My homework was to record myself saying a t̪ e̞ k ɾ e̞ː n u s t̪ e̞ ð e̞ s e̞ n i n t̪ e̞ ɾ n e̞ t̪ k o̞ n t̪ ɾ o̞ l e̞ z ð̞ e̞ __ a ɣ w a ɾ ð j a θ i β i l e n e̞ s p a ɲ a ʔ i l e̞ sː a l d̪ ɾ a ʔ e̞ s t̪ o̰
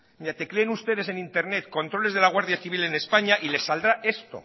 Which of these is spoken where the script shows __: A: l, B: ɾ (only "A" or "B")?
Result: A